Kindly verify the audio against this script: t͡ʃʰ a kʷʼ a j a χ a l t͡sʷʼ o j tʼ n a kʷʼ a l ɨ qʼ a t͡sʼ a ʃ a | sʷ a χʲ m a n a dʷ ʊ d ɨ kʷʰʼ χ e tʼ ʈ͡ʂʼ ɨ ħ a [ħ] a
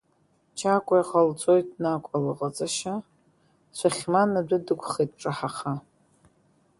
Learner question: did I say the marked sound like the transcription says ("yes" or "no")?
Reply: no